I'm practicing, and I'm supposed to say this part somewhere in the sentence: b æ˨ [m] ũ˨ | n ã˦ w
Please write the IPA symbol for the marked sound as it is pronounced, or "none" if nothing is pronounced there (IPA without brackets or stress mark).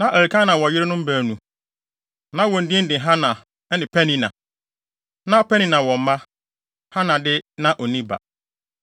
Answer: n